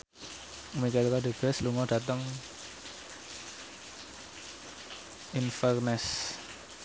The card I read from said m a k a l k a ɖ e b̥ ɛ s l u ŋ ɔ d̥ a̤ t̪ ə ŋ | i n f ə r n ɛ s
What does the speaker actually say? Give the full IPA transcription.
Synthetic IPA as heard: m i k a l k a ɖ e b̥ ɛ s l u ŋ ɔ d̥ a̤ t̪ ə ŋ | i n f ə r n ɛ s